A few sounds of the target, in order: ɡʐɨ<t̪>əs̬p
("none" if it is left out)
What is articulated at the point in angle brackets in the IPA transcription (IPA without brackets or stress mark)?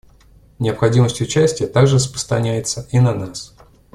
none